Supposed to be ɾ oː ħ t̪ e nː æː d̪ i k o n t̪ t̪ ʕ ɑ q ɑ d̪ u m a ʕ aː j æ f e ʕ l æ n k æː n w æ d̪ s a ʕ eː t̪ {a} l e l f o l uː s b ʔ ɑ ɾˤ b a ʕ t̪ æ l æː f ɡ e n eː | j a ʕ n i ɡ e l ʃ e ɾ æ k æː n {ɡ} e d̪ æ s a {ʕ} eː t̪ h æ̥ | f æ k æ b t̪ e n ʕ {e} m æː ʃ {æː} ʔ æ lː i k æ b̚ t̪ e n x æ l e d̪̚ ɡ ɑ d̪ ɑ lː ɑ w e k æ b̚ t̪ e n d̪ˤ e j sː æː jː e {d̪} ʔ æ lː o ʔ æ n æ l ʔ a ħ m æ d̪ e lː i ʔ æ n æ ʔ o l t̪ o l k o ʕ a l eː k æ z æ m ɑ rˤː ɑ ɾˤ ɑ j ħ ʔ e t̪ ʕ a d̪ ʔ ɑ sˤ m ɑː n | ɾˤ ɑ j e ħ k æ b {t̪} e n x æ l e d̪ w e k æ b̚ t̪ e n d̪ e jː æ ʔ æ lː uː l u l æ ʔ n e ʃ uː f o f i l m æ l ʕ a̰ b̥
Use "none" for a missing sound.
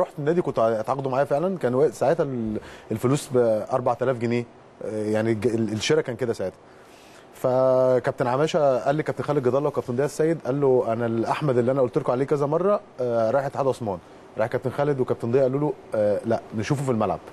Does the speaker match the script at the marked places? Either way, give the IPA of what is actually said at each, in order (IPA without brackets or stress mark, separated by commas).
æ, k, ʕ, a, æ, d̪, t̪